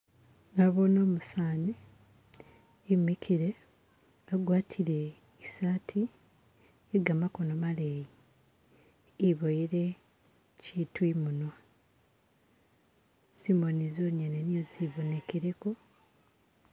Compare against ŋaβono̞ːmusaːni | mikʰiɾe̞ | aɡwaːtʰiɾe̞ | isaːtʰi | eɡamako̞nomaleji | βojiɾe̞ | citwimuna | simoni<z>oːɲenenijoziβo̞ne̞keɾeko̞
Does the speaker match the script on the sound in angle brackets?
yes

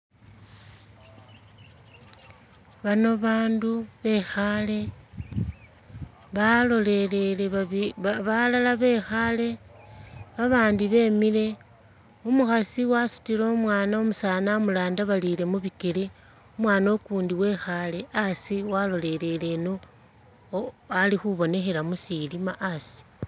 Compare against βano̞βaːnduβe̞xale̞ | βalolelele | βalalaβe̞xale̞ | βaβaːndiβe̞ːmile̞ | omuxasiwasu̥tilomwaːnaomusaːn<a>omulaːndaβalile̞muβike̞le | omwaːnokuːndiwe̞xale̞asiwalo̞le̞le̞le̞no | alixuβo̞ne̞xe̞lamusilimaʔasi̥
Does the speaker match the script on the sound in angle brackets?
yes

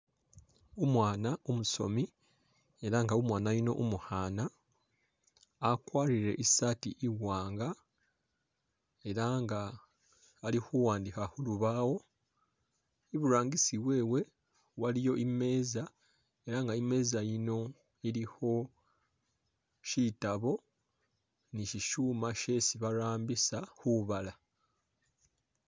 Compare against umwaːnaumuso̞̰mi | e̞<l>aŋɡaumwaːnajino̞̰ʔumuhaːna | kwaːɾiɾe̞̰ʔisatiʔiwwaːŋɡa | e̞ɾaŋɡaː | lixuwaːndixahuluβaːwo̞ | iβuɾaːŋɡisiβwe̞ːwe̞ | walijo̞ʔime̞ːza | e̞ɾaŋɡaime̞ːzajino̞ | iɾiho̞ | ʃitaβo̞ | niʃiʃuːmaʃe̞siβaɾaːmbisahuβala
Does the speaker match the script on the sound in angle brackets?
no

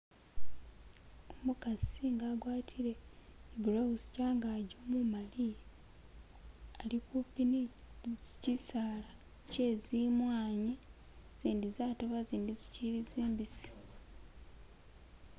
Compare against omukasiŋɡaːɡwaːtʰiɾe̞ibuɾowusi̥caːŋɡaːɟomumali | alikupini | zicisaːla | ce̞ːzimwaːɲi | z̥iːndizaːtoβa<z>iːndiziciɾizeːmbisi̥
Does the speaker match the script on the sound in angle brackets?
yes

